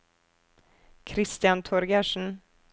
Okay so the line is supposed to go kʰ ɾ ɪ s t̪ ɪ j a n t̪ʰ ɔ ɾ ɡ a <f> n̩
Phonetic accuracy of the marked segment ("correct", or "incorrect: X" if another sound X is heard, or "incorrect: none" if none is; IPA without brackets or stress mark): incorrect: ʂ